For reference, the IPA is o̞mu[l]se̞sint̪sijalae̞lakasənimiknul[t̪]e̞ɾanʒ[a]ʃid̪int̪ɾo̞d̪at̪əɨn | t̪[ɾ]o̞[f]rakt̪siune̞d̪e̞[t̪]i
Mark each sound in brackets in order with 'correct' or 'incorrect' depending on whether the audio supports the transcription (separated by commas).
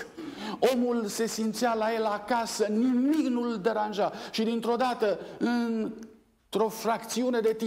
correct, incorrect, correct, correct, correct, correct